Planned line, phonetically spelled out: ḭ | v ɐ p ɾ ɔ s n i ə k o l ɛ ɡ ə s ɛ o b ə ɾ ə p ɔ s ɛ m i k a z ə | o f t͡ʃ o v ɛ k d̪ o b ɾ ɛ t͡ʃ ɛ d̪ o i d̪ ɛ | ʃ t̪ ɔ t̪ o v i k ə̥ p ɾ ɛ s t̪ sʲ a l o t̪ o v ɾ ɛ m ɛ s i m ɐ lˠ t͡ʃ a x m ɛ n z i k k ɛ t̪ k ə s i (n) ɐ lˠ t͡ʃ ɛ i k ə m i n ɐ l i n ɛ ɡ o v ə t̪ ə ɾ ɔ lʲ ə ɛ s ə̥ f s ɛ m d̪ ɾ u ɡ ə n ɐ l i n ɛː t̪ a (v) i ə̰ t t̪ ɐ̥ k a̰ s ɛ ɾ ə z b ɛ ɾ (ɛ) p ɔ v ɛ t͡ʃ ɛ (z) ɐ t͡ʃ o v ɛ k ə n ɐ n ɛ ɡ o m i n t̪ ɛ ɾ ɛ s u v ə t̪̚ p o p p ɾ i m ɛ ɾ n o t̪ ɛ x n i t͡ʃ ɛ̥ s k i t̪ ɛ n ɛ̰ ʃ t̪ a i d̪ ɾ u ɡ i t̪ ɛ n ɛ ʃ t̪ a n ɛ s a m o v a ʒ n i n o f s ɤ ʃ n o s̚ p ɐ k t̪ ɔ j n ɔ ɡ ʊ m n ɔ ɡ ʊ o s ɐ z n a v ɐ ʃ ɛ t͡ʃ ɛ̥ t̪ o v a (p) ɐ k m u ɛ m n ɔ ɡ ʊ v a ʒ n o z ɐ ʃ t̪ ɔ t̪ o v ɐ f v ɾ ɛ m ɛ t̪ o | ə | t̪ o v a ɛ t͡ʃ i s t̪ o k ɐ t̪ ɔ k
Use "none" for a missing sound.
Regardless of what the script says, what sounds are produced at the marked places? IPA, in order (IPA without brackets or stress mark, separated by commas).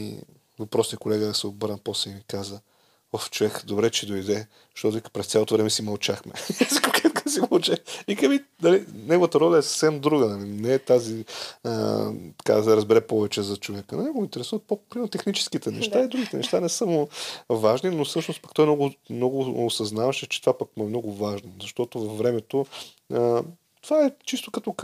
m, z, ɛ, z, p